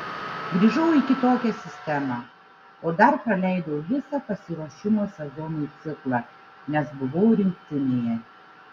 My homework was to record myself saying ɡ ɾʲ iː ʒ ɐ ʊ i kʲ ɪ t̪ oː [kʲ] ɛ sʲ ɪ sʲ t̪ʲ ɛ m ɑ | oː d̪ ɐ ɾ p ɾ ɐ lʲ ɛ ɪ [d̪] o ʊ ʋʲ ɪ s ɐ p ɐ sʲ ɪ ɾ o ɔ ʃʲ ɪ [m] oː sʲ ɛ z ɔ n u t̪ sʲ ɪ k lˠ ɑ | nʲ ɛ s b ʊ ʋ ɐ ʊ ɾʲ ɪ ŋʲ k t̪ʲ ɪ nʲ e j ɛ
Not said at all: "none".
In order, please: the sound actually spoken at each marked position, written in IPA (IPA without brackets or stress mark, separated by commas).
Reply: kʲ, d̪, m